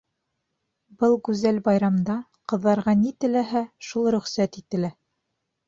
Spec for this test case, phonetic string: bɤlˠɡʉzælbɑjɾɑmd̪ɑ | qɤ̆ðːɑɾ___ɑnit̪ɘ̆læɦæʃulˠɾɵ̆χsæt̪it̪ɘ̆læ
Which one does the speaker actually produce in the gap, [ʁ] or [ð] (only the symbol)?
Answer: ʁ